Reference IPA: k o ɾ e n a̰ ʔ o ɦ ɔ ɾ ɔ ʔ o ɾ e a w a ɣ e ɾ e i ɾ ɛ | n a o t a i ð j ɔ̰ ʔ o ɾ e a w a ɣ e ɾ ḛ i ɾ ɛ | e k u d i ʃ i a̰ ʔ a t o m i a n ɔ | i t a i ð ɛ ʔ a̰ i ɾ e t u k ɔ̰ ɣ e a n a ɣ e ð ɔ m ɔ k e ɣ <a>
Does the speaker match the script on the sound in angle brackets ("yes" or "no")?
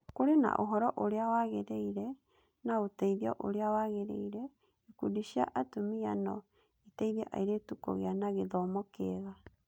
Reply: yes